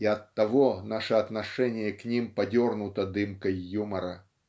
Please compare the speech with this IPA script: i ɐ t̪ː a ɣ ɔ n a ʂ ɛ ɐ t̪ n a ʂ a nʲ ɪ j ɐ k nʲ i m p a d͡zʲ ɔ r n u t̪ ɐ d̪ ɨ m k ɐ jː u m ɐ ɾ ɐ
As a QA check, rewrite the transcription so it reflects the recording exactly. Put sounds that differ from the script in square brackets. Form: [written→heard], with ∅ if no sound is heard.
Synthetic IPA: i ɐ t̪ː a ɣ ɔ n a ʂ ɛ ɐ t̪ n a ʂ [a→ɛ] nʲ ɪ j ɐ k nʲ i m p a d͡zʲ ɔ r n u t̪ ɐ d̪ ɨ m k ɐ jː u m ɐ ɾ ɐ